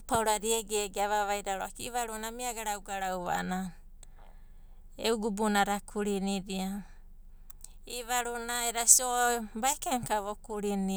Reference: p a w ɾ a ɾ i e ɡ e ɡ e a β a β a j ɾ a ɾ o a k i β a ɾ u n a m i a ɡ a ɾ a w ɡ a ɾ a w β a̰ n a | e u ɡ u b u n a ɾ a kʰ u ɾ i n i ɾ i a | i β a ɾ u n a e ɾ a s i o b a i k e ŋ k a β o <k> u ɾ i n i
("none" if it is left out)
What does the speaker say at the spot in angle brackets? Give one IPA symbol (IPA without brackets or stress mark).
k